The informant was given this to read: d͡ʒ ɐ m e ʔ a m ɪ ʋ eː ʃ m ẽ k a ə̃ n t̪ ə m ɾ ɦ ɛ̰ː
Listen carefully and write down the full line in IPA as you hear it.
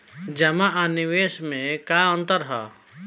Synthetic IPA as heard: d͡ʒ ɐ m a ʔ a n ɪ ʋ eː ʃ m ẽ k a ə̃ n t̪ ə ɾ ɦ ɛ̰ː